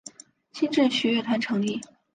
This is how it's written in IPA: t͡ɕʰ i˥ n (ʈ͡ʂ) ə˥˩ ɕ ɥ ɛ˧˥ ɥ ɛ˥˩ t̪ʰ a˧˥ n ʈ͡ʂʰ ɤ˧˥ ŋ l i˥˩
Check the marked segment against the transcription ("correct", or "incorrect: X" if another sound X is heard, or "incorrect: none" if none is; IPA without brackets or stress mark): correct